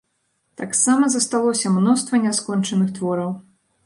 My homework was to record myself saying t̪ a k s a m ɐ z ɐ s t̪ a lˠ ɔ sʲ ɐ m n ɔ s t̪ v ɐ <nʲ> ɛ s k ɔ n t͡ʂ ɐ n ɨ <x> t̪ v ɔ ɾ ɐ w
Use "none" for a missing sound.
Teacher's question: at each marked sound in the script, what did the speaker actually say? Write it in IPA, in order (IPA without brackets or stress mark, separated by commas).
nʲ, x